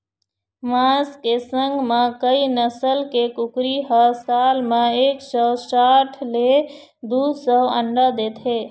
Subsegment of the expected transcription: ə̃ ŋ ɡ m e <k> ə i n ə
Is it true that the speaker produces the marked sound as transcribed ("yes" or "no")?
yes